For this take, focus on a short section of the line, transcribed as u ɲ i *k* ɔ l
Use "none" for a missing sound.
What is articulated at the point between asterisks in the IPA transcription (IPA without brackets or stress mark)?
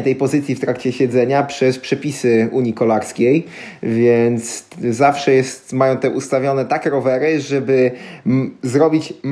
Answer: k